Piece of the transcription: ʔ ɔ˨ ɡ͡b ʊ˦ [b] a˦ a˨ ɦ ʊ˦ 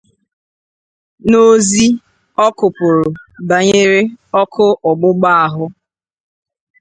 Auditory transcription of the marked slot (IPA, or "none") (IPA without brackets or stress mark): ɡ͡b